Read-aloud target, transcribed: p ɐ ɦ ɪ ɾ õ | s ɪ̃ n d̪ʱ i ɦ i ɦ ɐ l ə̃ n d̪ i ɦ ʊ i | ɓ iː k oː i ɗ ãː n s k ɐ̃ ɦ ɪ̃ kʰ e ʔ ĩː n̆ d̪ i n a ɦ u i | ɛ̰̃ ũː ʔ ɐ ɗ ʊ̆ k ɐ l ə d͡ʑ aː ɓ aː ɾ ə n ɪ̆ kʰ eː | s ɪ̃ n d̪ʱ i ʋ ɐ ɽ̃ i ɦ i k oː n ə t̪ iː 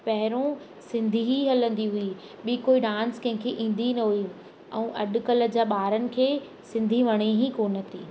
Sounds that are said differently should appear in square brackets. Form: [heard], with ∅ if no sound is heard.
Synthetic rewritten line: p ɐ ɦ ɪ ɾ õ | s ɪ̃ n d̪ʱ i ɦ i ɦ ɐ l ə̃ n d̪ i ɦ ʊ i | ɓ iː k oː i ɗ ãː n s k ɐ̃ ɦ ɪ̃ kʰ e ʔ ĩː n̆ d̪ i n [ɐ] ɦ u i | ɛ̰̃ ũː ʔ ɐ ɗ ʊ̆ k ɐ l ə d͡ʑ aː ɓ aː ɾ ə n ɪ̆ kʰ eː | s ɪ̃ n d̪ʱ i ʋ ɐ ɽ̃ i ɦ i k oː n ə t̪ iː

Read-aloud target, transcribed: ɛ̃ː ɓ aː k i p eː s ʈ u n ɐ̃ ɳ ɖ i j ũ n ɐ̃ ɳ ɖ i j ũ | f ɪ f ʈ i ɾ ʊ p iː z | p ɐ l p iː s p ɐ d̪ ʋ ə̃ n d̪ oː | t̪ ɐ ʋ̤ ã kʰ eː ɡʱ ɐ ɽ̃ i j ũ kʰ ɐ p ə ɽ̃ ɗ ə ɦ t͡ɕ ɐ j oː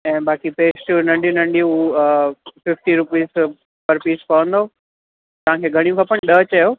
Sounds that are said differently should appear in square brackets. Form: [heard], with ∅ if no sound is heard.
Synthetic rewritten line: ɛ̃ː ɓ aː k i p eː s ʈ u n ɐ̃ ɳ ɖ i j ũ n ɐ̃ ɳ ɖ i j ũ | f ɪ f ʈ i ɾ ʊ p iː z | p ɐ [ɾ] p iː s p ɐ [∅] ʋ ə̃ n d̪ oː | t̪ ɐ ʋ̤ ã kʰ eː ɡʱ ɐ ɽ̃ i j ũ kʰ ɐ p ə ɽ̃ ɗ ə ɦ t͡ɕ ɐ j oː

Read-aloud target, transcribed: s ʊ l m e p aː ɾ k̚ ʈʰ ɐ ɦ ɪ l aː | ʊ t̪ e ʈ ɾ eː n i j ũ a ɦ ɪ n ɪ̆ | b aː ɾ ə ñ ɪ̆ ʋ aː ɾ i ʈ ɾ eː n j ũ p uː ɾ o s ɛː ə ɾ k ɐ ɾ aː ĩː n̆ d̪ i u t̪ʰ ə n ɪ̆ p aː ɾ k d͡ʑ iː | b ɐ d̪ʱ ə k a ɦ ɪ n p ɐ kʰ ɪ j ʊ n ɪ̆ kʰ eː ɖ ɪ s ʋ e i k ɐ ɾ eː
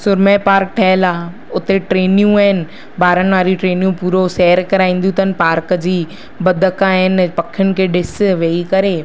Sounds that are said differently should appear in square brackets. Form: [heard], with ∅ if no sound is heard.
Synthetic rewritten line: s ʊ [ɾ] m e p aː ɾ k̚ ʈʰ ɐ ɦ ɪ l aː | ʊ t̪ e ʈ ɾ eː n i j ũ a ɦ ɪ n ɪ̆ | b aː ɾ ə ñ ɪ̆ ʋ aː ɾ i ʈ ɾ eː n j ũ p uː ɾ o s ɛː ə ɾ k ɐ ɾ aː ĩː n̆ d̪ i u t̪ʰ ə n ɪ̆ p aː ɾ k d͡ʑ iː | b ɐ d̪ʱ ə k a ɦ ɪ n p ɐ kʰ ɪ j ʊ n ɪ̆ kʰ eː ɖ ɪ s ʋ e i k ɐ ɾ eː

